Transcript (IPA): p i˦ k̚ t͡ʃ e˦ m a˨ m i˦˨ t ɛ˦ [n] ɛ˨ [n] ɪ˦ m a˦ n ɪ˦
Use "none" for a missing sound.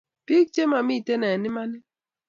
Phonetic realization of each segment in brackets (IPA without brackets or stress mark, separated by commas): n, n